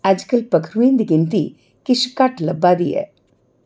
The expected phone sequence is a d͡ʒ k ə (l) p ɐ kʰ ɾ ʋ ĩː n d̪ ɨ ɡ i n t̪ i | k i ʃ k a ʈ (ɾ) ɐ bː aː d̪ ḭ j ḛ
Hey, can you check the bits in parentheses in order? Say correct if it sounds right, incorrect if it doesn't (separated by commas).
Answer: correct, incorrect